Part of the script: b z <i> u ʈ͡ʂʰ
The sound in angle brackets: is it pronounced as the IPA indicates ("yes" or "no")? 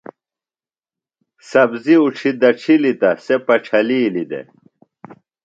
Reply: yes